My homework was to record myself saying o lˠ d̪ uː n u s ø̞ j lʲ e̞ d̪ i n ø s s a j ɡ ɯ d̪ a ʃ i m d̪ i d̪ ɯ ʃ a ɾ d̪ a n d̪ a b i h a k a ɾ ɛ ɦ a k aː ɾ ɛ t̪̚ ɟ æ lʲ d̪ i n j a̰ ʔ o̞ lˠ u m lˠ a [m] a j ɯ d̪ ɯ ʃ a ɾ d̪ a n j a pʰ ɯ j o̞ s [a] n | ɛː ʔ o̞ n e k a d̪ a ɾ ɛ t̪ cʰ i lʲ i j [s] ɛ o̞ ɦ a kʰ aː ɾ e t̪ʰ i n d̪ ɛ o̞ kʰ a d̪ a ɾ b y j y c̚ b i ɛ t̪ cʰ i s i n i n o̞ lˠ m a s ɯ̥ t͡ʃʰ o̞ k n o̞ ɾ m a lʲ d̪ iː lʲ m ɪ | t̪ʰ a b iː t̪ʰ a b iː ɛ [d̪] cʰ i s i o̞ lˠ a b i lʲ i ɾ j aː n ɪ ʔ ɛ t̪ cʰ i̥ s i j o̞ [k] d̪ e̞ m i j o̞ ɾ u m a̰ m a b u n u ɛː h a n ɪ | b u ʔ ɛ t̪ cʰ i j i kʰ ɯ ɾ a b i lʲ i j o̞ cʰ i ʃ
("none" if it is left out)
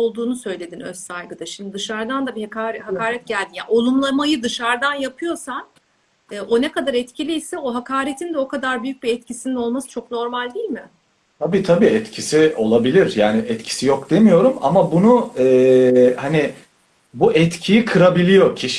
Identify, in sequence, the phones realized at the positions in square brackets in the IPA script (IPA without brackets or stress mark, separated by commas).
m, a, s, t̪, k